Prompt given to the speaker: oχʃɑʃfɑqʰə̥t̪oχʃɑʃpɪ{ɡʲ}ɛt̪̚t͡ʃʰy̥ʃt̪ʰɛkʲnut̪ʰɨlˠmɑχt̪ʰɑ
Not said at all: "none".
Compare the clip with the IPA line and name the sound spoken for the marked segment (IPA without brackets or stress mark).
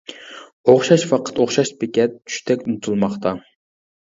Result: kʲ